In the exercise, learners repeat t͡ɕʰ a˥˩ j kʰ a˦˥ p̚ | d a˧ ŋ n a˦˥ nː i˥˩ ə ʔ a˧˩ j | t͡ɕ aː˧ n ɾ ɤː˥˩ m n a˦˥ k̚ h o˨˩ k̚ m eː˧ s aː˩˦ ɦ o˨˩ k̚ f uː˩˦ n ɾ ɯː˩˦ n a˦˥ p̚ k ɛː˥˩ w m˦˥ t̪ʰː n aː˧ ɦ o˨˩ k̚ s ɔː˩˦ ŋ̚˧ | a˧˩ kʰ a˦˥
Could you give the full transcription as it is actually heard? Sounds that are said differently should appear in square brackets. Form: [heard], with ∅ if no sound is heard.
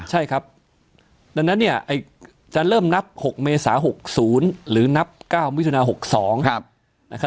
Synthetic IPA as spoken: t͡ɕʰ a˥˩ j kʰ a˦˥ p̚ | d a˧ ŋ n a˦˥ nː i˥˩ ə ʔ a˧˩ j | t͡ɕ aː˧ n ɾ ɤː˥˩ m n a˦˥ [p̚] h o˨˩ k̚ m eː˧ s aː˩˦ ɦ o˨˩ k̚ [s] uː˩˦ n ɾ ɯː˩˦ n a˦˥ p̚ k [aː˥˩] w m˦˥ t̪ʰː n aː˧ ɦ o˨˩ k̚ s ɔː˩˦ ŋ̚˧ | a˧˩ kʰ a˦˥